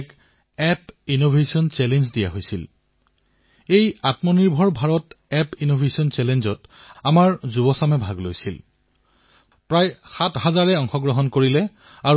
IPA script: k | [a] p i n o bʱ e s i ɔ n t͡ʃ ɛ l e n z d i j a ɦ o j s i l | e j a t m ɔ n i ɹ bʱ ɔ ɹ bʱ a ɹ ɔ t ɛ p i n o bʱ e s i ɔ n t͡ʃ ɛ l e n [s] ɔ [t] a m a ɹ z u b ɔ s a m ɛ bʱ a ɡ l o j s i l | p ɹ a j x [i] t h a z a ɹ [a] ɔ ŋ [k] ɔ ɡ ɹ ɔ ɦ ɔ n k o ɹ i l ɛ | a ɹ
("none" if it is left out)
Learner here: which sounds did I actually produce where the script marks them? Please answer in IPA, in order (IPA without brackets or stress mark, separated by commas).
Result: ɛ, z, t, a, ɛ, x